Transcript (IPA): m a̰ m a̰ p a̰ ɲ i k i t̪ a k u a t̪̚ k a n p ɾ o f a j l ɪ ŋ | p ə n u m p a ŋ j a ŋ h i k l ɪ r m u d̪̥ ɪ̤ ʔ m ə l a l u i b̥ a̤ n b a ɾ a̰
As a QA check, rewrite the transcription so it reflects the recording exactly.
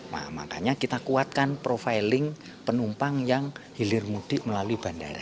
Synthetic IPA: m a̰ m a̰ k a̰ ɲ a k i t̪ a k u a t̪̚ k a n p ɾ o f a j l ɪ ŋ | p ə n u m p a ŋ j a ŋ h i l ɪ r m u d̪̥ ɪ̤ ʔ m ə l a l u i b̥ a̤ n d a ɾ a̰